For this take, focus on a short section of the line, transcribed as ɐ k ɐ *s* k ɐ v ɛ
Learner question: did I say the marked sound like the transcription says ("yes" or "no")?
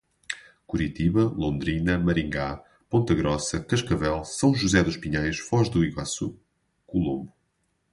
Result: no